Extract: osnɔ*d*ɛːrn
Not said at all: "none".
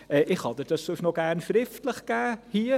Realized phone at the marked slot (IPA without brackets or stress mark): ɡ